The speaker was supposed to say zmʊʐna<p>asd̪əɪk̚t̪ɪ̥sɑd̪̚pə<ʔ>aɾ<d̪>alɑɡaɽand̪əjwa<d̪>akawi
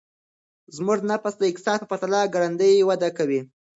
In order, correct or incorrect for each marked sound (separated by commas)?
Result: correct, incorrect, incorrect, correct